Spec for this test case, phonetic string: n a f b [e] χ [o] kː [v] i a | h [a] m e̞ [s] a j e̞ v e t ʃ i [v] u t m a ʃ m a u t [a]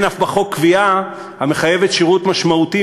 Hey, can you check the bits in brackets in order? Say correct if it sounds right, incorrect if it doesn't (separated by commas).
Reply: incorrect, correct, correct, correct, incorrect, incorrect, incorrect